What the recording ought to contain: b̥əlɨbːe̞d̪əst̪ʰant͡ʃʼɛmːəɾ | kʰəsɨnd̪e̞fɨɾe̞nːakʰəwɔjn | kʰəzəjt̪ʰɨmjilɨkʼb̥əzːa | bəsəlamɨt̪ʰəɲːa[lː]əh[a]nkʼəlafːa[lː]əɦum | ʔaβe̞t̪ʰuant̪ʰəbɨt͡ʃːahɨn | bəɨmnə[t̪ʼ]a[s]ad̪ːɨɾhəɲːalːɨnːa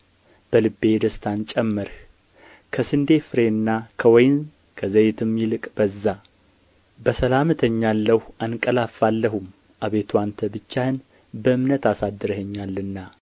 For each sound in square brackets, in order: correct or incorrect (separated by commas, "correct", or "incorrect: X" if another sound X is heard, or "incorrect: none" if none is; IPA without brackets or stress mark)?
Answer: correct, correct, correct, incorrect: t̪, correct